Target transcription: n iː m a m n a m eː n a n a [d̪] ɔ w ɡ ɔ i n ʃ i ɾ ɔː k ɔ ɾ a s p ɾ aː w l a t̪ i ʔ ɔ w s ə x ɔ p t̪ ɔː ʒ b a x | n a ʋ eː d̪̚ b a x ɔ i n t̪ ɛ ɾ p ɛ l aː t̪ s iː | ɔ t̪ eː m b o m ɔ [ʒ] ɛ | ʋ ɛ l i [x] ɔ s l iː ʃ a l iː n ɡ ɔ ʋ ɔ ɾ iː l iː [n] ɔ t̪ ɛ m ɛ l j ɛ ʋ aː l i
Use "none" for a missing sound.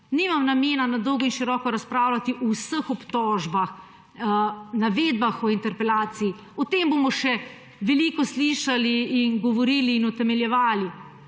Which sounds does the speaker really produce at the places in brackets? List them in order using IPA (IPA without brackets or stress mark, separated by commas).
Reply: d̪, ʃ, k, n